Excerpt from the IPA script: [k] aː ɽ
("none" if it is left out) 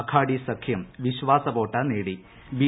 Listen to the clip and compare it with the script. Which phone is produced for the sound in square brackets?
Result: kʰ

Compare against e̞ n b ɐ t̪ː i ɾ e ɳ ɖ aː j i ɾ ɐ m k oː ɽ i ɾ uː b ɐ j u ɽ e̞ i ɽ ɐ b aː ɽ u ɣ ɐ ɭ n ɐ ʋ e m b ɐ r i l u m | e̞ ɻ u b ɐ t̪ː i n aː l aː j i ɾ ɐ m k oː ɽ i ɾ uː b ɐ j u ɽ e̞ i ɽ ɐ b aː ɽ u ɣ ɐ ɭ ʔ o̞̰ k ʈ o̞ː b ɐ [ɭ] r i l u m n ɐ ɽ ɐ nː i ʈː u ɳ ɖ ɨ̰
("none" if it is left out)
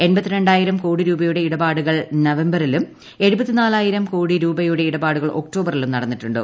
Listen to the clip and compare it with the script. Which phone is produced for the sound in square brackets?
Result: none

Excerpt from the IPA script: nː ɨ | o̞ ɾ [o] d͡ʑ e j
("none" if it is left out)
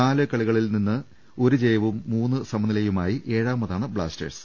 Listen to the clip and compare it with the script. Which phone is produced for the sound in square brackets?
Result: u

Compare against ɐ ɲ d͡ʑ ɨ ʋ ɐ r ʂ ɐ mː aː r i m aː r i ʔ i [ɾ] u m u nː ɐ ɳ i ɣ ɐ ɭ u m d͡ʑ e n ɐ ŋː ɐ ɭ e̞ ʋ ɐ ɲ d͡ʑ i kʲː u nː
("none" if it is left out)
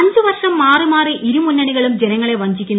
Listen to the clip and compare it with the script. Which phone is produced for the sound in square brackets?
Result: ɾ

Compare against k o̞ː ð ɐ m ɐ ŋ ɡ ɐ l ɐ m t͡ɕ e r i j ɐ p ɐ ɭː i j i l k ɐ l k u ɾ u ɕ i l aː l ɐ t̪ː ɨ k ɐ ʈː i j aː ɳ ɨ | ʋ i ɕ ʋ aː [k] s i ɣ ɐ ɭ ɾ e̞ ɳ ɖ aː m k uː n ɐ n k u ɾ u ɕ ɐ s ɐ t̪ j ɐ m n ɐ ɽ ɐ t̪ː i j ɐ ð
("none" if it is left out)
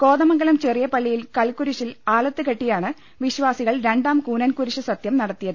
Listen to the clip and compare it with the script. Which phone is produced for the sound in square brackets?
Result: none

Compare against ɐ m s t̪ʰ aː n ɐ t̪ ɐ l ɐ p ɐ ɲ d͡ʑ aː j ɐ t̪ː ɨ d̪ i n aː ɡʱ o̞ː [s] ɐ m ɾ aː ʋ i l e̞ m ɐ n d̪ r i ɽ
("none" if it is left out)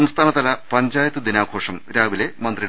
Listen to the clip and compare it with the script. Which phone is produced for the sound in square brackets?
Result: ʂ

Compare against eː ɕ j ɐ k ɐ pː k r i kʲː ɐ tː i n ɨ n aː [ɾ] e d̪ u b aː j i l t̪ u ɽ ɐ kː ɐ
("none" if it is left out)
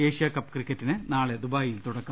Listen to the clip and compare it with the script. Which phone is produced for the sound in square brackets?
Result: ɭ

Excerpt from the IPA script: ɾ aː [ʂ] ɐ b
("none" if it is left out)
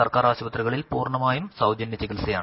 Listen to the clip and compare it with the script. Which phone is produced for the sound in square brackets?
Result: ɕ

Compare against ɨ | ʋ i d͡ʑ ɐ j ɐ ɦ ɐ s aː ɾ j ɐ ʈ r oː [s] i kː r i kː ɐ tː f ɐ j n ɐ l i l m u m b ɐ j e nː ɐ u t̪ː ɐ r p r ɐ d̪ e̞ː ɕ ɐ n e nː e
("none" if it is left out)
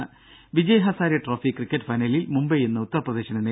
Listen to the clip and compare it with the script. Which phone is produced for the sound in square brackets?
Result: f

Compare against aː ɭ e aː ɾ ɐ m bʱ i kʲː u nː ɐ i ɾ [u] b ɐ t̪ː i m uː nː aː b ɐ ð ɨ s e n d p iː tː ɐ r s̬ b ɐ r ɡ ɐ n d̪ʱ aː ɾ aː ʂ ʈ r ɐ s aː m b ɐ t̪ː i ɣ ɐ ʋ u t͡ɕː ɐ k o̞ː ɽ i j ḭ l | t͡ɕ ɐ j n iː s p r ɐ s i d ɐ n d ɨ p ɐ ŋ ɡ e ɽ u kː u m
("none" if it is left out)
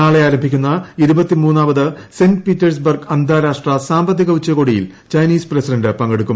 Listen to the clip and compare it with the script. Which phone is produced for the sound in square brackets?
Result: u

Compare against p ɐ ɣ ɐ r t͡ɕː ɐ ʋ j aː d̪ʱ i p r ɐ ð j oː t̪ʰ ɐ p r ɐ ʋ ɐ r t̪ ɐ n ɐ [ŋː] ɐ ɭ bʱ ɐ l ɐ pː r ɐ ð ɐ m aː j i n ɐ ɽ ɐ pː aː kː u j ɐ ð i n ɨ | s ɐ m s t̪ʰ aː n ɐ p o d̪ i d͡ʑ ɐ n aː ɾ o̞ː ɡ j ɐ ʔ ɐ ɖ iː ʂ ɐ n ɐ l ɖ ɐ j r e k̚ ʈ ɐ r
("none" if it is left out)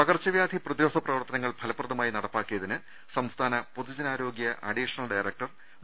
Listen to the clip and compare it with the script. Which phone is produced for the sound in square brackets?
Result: ŋː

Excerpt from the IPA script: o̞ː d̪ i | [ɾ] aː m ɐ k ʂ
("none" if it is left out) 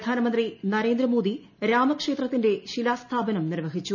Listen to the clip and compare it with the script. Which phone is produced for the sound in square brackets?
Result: ɾ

